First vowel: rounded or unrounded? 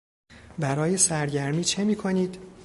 unrounded